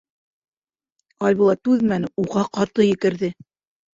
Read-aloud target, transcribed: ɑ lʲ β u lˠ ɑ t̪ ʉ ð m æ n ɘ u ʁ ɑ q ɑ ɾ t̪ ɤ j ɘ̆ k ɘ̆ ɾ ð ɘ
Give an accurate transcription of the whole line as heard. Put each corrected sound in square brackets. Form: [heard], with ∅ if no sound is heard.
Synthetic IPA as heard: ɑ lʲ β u lˠ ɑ t̪ ʉ ð m æ n ɘ u ʁ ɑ q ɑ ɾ t̪ ɤ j ɘ̆ k ɘ̆ ɾ ð ɘ

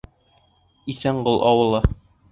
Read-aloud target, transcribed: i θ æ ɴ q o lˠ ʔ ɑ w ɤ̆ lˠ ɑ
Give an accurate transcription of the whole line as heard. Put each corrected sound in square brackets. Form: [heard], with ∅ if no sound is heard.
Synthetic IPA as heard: i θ æ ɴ [ɢ] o lˠ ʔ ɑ w ɤ̆ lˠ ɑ

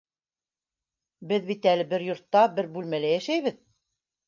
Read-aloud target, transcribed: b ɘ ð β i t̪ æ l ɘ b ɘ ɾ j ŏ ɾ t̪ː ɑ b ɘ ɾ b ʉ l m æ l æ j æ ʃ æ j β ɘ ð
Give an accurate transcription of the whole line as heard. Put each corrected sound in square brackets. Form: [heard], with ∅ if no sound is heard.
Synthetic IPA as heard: b ɘ ð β i t̪ æ l ɘ b ɘ ɾ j ŏ ɾ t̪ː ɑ b ɘ ɾ b ʉ l m æ l æ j æ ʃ æ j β ɘ ð

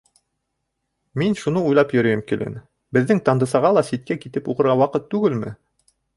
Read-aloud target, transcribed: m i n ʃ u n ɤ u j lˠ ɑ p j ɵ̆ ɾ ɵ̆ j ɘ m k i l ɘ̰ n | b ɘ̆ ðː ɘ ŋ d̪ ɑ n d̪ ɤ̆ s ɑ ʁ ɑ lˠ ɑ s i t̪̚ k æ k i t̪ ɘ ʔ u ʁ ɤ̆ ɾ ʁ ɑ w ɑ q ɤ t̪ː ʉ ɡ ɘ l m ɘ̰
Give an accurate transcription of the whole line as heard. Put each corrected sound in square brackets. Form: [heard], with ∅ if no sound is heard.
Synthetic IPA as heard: m i n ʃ u n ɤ u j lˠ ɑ p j ɵ̆ ɾ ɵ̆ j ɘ m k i l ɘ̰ n | b ɘ̆ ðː ɘ ŋ [t̪] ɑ n d̪ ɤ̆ s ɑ ʁ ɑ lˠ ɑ s i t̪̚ k æ k i t̪ ɘ [p] u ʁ ɤ̆ ɾ ʁ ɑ w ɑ q ɤ t̪ː ʉ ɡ ɘ l m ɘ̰

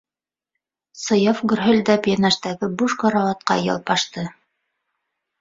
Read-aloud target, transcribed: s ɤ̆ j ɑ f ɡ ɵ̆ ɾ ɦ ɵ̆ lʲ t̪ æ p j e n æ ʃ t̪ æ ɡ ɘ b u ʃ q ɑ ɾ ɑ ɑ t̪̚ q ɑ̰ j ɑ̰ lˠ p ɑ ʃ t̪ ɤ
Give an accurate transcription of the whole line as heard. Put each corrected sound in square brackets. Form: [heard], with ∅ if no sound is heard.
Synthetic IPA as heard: s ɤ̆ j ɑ f ɡ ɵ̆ ɾ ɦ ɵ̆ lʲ [d̪] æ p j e n æ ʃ t̪ æ ɡ ɘ b u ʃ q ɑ ɾ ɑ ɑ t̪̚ q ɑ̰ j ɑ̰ lˠ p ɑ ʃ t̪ ɤ

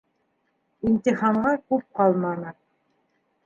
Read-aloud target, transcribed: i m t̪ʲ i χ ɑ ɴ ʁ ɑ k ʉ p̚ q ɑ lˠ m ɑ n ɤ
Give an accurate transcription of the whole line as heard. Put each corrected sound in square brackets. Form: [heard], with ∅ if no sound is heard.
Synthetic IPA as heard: i [n] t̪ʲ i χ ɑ ɴ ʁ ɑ k ʉ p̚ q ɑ lˠ m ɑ n ɤ

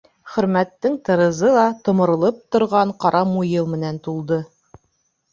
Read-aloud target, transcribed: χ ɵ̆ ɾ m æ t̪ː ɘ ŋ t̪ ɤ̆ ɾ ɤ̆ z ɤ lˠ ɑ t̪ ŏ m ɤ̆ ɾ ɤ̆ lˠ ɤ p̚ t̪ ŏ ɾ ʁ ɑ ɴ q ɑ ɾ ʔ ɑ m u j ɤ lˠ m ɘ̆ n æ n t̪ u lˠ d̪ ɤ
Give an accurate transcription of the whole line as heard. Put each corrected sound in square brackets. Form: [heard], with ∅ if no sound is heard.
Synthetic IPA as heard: χ ɵ̆ ɾ m æ t̪ː ɘ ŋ t̪ ɤ̆ ɾ ɤ̆ z ɤ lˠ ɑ t̪ ŏ m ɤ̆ ɾ ɤ̆ lˠ ɤ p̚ t̪ ŏ ɾ ʁ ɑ ɴ q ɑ ɾ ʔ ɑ m u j ɤ lˠ m ɘ̆ n æ n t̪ u lˠ d̪ ɤ

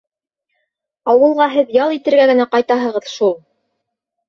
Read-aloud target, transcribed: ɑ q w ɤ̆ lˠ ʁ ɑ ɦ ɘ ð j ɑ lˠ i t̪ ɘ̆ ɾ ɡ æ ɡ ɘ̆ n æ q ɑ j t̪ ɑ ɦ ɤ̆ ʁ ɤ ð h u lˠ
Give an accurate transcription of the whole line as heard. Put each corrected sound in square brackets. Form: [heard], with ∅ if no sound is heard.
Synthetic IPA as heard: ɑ [∅] w ɤ̆ lˠ ʁ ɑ ɦ ɘ ð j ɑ lˠ i t̪ ɘ̆ ɾ ɡ æ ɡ ɘ̆ n æ q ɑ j t̪ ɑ ɦ ɤ̆ ʁ ɤ ð [ʃ] u lˠ

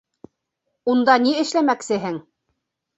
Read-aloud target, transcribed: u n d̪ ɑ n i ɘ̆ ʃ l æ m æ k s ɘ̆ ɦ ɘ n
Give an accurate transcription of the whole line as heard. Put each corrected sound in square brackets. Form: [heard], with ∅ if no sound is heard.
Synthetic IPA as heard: u n d̪ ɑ n i ɘ̆ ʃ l æ m æ k s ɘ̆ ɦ ɘ [ŋ]

